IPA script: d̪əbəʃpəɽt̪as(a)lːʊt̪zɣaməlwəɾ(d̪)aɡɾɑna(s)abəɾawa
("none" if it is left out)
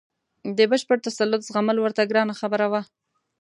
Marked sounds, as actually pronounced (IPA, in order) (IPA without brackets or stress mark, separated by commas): a, t̪, x